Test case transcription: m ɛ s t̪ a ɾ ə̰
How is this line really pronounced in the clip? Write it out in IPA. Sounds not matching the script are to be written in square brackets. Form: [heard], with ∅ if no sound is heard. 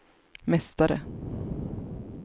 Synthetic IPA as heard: m ɛ s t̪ a ɾ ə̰